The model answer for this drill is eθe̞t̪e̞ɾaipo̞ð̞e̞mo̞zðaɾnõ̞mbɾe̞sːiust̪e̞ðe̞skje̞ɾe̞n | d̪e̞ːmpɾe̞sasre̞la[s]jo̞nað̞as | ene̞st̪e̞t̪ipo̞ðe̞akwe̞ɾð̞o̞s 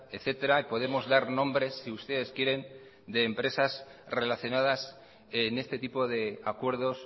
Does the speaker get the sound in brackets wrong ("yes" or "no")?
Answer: yes